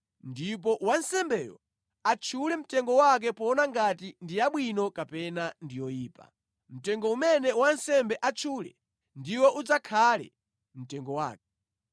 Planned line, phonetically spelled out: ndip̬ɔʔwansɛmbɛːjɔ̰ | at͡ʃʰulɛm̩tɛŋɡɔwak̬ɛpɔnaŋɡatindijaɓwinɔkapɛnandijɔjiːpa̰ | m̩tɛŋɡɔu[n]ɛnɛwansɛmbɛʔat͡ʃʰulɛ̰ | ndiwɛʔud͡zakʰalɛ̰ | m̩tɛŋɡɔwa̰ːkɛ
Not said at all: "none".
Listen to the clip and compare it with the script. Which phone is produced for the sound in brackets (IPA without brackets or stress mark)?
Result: m